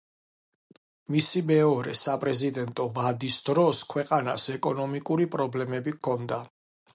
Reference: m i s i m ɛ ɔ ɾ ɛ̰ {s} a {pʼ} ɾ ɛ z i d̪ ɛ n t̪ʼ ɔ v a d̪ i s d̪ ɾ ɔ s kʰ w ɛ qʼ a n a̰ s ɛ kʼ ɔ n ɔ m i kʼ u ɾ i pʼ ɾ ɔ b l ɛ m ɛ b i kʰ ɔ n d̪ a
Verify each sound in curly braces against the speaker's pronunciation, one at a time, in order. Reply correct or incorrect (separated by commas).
correct, correct